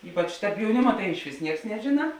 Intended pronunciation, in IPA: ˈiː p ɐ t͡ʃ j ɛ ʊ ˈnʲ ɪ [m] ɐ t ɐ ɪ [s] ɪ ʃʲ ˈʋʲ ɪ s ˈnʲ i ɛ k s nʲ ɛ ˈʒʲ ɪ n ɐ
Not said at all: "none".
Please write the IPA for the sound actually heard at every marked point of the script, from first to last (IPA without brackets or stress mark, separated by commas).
m, none